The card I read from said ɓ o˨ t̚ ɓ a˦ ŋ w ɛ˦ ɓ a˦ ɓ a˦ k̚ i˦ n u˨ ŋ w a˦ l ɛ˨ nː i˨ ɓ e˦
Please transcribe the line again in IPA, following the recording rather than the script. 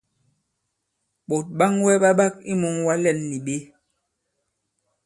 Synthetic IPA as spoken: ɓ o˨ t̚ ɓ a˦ ŋ w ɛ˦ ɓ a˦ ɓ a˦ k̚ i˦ m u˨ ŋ w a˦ l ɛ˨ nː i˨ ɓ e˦